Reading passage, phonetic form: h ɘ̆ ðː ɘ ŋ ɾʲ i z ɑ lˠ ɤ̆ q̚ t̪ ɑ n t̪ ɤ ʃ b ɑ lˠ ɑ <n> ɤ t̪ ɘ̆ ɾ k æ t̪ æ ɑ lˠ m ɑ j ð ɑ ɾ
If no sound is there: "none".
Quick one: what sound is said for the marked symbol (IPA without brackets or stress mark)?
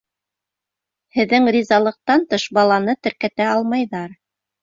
n